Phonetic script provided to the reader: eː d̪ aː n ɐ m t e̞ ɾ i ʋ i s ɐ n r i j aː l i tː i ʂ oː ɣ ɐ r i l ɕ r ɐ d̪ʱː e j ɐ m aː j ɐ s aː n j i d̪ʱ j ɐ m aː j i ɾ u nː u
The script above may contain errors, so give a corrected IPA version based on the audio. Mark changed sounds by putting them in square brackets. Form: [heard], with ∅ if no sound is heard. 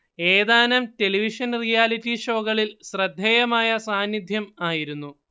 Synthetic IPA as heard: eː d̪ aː n ɐ m t e̞ [l] i ʋ i [ʂ] ɐ n r i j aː l i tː i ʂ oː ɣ ɐ [ɭ] i l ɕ r ɐ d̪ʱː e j ɐ m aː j ɐ s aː n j i d̪ʱ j ɐ m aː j i ɾ u nː u